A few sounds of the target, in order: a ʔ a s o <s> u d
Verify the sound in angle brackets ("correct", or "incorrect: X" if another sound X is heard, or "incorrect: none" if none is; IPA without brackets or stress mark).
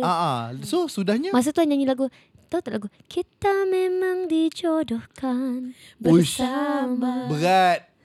correct